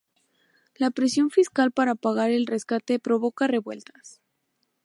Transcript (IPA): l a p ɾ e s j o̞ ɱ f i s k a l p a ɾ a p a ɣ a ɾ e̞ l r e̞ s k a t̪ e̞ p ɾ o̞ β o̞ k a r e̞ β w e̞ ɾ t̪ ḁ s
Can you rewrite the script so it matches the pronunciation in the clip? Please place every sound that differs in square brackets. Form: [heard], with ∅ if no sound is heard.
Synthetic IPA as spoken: l a p ɾ e s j o̞ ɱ f i s k a l p a ɾ a p a ɣ a ɾ e̞ l r e̞ s k a t̪ e̞ p ɾ o̞ β o̞ k a r e̞ β w e̞ [l] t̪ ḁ s